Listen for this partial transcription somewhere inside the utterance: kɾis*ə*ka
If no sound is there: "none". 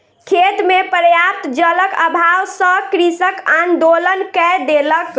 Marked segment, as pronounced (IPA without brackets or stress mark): ə